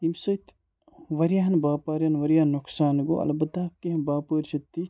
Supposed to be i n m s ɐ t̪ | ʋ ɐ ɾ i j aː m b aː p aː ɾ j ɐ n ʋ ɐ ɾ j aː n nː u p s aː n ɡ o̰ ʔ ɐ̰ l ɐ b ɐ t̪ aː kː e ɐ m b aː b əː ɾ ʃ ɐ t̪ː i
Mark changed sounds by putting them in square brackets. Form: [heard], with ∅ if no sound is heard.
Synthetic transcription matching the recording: i [∅] m s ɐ t̪ | ʋ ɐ ɾ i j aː [n] b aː p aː ɾ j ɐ n ʋ ɐ ɾ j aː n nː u [k] s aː n ɡ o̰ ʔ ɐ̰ l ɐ b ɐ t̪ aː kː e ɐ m b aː [p] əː ɾ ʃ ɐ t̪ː i